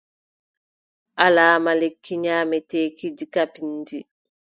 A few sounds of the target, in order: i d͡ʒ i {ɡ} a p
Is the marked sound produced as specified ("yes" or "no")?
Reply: no